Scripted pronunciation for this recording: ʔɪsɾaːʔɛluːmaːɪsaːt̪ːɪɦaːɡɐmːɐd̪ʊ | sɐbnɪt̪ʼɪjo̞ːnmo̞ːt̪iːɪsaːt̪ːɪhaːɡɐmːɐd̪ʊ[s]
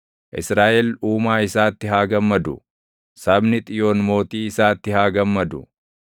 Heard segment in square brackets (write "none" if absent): none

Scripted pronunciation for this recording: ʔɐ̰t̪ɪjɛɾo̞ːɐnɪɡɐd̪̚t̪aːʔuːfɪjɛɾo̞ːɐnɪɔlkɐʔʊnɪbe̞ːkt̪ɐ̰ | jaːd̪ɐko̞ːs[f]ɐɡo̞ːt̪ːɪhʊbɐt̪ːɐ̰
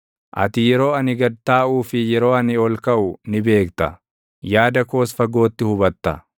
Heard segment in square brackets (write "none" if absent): f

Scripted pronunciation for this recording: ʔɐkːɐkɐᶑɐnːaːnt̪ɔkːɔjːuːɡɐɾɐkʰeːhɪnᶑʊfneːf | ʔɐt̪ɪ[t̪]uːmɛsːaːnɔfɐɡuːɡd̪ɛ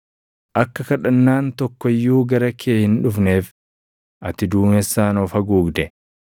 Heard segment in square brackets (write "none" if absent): d̪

